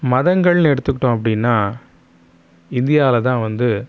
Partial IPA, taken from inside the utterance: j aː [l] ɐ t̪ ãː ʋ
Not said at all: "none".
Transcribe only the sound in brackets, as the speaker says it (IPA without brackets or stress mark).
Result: l